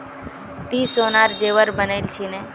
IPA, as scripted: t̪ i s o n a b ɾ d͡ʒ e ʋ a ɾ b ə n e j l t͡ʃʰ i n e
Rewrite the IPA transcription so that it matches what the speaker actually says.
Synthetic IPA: t̪ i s o n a ɾ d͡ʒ e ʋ ə ɾ b ə n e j l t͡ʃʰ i n e